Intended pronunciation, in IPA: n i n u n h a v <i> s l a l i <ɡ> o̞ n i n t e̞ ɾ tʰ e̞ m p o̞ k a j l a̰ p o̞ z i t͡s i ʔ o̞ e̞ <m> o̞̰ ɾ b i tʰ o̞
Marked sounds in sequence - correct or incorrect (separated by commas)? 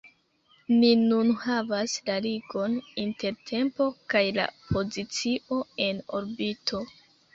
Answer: incorrect, correct, incorrect